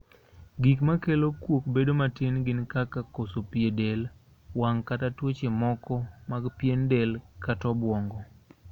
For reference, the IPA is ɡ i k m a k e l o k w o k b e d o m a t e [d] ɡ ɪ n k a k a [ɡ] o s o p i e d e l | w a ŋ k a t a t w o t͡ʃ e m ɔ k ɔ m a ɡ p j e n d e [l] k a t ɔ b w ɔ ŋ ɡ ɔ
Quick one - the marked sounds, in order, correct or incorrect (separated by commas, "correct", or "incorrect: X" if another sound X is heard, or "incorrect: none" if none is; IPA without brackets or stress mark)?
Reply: incorrect: n, incorrect: k, correct